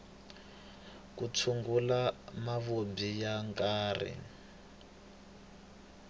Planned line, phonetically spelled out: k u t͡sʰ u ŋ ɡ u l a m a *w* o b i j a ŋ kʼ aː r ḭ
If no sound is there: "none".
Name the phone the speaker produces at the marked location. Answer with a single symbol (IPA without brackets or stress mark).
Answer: β